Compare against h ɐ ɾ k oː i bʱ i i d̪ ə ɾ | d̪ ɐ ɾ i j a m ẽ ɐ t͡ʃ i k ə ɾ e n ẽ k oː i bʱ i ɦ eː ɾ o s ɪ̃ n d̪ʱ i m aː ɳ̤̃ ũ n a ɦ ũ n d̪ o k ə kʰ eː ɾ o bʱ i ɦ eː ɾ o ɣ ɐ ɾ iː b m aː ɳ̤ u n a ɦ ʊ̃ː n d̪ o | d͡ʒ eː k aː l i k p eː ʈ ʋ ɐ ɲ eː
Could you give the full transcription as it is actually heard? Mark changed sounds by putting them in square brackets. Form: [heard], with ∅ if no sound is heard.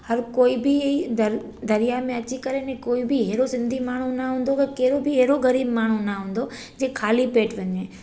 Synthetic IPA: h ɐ ɾ k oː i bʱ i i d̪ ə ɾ | d̪ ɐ ɾ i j a m ẽ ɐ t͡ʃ i k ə ɾ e n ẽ k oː i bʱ i ɦ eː ɾ o s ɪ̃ n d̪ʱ i m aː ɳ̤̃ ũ n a ɦ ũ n d̪ o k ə [k] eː ɾ o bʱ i ɦ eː ɾ o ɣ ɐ ɾ iː b m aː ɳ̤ u n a ɦ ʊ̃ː n d̪ o | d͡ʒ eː [kʰ] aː l i [∅] p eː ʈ ʋ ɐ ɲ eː

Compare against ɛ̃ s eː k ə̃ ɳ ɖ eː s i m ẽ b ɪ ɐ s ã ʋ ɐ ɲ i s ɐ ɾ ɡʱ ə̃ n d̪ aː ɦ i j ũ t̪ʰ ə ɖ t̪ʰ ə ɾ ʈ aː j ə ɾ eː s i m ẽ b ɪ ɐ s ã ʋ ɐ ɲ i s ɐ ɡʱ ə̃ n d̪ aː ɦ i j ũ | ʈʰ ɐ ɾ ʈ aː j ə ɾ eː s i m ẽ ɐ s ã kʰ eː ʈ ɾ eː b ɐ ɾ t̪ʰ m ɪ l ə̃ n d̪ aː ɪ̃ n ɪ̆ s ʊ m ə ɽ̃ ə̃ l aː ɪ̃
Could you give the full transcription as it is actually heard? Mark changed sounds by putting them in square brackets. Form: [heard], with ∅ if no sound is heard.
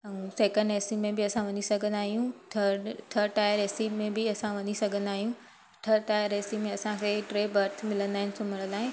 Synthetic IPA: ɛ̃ s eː k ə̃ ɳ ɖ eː s i m ẽ b ɪ ɐ s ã ʋ ɐ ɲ i s ɐ [∅] ɡʱ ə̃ n d̪ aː ɦ i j ũ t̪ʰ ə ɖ t̪ʰ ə ɾ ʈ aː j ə ɾ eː s i m ẽ b ɪ ɐ s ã ʋ ɐ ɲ i s ɐ ɡʱ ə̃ n d̪ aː ɦ i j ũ | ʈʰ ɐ ɾ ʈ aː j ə ɾ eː s i m ẽ ɐ s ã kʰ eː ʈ ɾ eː b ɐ ɾ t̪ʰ m ɪ l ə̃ n d̪ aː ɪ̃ n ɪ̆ s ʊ m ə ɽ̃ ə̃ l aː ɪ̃

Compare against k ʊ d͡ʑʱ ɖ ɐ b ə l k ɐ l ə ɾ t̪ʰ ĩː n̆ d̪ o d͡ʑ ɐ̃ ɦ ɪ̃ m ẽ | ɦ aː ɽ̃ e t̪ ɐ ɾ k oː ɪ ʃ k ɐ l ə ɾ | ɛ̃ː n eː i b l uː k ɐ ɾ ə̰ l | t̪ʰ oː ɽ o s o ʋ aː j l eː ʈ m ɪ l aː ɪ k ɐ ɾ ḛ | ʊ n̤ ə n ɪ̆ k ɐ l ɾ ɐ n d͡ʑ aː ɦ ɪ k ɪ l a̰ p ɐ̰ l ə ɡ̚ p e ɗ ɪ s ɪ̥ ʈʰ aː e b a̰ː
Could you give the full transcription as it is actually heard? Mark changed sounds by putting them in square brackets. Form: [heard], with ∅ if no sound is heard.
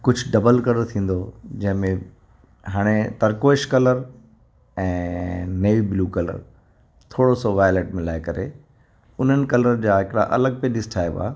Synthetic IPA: k ʊ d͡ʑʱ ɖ ɐ b ə l k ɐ l ə ɾ t̪ʰ ĩː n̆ d̪ o d͡ʑ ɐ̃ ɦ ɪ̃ m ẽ | ɦ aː ɽ̃ e t̪ ɐ ɾ k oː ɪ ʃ k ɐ l ə ɾ | ɛ̃ː n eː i b l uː k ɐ [l] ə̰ [ɾ] | t̪ʰ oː ɽ o s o ʋ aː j l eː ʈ m ɪ l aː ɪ k ɐ ɾ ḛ | ʊ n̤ ə n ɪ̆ k ɐ l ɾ [ə] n d͡ʑ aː ɦ ɪ k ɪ [ɽ] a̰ [ʔ] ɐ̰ l ə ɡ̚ p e ɗ ɪ s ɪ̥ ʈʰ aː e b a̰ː

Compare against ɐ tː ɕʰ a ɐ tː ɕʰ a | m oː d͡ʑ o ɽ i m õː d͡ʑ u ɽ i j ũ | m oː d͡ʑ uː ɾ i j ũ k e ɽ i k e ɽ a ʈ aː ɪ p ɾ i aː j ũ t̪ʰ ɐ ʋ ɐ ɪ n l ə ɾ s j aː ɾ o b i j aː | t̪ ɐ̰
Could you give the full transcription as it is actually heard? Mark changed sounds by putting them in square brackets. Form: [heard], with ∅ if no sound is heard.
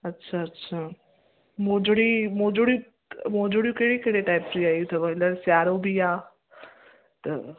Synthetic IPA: ɐ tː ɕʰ a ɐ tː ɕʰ a | m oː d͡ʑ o ɽ i m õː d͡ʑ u ɽ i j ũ | m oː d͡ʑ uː [ɽ] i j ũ k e ɽ i k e ɽ [e] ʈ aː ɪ p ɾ i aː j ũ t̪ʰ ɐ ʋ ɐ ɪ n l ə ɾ s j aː ɾ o b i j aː | t̪ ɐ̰

